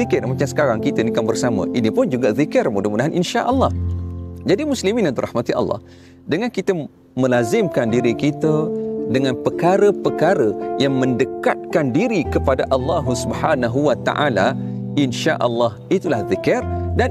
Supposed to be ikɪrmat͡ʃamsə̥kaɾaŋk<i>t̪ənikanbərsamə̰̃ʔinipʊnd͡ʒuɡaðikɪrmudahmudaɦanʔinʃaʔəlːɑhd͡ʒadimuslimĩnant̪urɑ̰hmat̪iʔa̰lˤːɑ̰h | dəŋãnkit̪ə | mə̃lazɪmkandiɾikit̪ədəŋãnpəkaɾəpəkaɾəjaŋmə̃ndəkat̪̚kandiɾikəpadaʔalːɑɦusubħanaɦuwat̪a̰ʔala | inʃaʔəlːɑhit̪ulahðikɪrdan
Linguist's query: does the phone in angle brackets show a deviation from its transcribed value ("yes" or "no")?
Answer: no